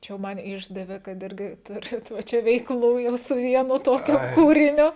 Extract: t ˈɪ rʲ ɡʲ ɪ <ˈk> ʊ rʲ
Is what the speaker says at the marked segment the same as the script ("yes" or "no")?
no